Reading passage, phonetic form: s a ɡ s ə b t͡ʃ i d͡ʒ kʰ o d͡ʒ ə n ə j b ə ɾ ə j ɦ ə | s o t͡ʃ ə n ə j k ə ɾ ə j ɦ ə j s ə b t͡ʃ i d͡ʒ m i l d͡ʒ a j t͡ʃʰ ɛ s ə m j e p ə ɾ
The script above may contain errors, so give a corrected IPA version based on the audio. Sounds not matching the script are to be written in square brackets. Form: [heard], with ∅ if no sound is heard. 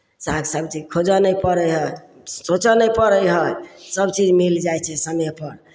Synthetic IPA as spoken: s a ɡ s ə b t͡ʃ i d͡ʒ kʰ o d͡ʒ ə n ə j [p] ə ɾ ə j ɦ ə | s o t͡ʃ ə n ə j [p] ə ɾ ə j ɦ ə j s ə b t͡ʃ i d͡ʒ m i l d͡ʒ a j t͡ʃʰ ɛ s ə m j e p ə ɾ